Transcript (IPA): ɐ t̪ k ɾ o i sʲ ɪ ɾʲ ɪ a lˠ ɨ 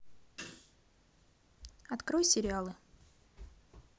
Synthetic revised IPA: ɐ t̪ k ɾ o j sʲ ɪ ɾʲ ɪ a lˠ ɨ